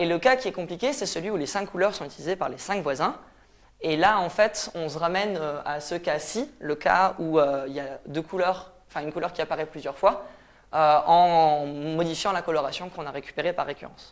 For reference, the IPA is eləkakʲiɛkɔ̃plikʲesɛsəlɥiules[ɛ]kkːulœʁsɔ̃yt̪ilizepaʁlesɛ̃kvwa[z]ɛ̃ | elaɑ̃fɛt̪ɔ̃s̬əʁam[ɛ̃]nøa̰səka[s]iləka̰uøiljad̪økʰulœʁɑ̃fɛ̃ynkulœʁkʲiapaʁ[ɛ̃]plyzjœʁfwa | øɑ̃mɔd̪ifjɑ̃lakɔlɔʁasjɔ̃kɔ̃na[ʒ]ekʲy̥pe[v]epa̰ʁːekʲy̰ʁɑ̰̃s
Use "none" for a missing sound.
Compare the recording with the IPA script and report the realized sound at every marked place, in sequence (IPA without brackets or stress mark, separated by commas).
ɛ̃, z, ɛ, s, ɛ, ʁ, ʁ